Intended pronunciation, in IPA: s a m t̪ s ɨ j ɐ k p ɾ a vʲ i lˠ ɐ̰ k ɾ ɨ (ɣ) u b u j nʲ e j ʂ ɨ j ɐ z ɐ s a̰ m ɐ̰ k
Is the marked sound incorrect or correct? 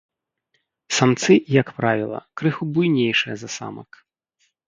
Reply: incorrect